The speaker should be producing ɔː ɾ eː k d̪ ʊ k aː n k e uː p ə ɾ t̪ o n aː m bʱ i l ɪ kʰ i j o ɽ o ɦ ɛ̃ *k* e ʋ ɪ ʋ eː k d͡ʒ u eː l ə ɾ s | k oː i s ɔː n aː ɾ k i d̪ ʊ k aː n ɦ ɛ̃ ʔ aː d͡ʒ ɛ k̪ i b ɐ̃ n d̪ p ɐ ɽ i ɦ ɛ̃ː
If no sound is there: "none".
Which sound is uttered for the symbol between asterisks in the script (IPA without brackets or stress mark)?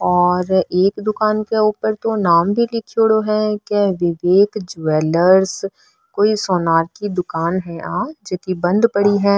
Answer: k